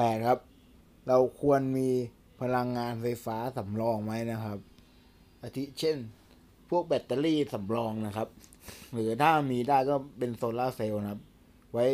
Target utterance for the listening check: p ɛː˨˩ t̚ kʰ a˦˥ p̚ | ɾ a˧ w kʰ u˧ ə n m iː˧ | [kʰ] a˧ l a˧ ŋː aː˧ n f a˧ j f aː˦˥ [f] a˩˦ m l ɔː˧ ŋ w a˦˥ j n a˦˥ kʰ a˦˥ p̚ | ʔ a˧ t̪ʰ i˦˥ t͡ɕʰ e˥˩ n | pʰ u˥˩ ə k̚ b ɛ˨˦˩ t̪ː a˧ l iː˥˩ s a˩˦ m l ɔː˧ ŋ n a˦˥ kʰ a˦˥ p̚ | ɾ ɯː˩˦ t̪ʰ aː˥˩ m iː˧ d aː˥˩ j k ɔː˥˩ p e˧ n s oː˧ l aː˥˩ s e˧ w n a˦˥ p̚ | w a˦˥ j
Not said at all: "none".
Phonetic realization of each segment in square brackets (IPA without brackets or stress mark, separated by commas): pʰ, s